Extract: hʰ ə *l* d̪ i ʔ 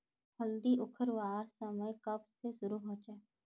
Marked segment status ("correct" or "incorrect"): correct